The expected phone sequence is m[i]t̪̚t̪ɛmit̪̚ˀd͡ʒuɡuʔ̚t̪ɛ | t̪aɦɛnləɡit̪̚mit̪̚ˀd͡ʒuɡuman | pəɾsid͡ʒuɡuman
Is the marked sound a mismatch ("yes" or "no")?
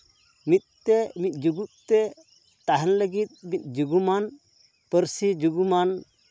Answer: no